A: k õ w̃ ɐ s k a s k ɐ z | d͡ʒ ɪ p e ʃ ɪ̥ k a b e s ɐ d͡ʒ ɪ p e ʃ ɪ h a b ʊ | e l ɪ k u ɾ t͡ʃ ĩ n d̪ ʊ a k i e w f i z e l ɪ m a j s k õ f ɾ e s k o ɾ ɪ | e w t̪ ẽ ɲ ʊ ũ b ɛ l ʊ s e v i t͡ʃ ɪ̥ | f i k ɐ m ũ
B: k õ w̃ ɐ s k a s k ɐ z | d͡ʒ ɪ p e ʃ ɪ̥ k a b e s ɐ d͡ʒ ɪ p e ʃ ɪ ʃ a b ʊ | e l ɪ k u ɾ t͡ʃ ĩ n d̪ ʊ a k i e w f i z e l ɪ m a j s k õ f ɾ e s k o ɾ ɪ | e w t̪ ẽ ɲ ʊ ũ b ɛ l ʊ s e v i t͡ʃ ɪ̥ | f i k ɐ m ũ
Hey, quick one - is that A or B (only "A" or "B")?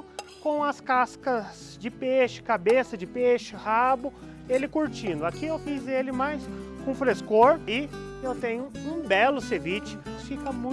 A